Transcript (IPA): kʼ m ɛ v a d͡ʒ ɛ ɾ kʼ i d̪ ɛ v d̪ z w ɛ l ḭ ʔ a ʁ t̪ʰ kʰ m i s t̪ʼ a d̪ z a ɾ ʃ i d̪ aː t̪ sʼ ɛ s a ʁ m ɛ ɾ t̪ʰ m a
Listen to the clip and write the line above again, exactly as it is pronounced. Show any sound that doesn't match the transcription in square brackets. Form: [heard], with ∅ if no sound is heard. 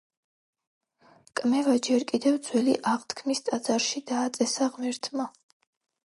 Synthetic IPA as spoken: kʼ m ɛ v a d͡ʒ ɛ ɾ kʼ i d̪ ɛ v d̪ z w ɛ l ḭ ʔ a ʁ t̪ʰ kʰ m i s t̪ʼ a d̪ z a ɾ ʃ i d̪ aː t̪ sʼ ɛ s a ʁ m ɛ ɾ t̪ʰ m a